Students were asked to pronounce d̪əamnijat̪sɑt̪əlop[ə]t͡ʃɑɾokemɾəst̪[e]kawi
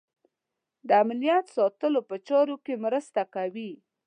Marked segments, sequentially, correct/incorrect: correct, incorrect: a

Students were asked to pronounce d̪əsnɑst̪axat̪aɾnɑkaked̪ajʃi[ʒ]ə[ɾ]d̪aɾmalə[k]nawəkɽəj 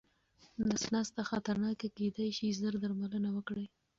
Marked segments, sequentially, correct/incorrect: incorrect: z, correct, incorrect: none

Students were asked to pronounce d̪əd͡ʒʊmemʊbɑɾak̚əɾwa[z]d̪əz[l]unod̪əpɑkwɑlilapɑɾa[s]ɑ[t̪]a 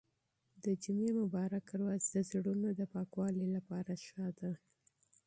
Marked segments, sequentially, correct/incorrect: correct, incorrect: ɽ, incorrect: ʃ, incorrect: d̪

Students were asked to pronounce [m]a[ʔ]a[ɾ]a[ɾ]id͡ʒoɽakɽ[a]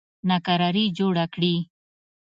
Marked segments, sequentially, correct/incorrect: incorrect: n, incorrect: k, correct, correct, incorrect: i

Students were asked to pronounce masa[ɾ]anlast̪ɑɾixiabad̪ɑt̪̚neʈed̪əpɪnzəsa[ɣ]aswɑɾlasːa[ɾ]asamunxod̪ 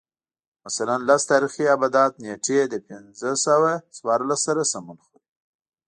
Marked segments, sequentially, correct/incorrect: incorrect: l, incorrect: w, correct

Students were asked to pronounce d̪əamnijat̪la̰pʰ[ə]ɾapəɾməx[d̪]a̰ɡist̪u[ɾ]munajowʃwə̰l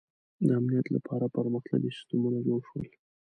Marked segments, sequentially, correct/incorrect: incorrect: ɑ, incorrect: t̪, incorrect: none

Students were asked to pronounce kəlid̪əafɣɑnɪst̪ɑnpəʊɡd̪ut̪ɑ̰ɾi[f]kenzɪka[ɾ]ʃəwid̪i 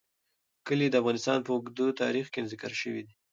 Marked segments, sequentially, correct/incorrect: incorrect: x, correct

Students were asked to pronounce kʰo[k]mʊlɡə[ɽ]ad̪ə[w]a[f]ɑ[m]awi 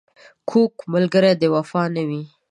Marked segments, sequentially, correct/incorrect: correct, incorrect: ɾ, correct, correct, incorrect: n

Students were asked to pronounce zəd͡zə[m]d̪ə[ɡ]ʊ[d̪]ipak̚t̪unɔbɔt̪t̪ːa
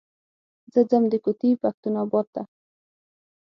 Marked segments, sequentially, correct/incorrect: correct, incorrect: k, incorrect: t̪

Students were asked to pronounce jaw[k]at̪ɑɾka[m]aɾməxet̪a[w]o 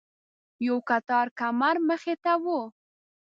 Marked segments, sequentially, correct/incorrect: correct, correct, correct

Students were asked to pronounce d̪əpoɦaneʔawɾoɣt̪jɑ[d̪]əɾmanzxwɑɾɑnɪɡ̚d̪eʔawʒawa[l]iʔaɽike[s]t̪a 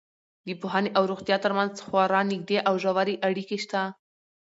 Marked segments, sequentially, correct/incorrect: incorrect: t̪, incorrect: ɾ, incorrect: ʃ

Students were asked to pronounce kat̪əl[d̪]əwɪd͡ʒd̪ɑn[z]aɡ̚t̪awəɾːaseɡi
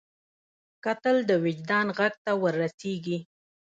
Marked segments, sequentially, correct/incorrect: correct, incorrect: ɣ

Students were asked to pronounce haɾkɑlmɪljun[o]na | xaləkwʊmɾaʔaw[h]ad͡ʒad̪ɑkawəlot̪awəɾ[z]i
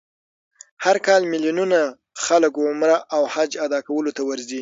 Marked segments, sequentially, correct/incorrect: incorrect: u, correct, correct

